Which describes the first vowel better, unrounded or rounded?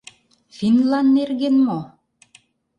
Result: unrounded